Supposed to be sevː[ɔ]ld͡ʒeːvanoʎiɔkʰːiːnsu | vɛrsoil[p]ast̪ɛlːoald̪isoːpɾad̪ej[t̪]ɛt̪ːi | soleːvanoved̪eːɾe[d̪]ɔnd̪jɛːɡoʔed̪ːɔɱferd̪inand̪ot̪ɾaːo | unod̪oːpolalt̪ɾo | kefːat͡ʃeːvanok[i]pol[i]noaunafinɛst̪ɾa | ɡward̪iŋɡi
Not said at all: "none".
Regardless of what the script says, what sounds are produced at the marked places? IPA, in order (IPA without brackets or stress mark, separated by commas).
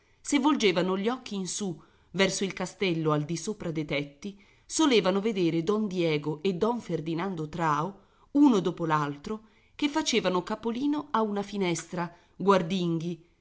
o, k, t̪, d̪, a, iː